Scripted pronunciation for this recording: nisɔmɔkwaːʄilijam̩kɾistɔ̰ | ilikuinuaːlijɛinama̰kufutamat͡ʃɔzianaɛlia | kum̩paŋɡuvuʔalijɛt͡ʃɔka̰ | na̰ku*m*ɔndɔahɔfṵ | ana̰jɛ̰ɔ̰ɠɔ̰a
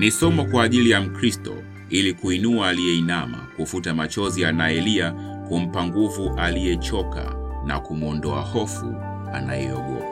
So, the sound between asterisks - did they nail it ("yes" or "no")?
yes